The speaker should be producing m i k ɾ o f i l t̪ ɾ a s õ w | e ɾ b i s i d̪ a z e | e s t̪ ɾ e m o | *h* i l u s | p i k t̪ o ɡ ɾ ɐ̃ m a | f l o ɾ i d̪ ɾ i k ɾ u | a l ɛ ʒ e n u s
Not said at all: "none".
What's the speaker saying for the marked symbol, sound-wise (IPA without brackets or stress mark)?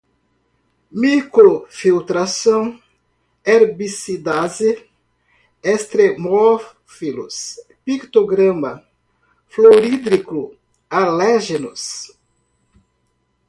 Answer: f